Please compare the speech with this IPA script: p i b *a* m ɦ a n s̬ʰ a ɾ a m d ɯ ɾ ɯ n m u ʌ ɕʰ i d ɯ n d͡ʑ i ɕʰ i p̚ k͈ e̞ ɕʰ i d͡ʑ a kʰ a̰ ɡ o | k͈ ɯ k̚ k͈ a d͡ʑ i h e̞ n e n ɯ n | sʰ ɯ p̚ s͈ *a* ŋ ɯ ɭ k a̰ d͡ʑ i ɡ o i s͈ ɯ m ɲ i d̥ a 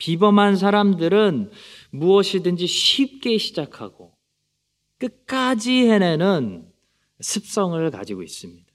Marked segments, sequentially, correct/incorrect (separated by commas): incorrect, incorrect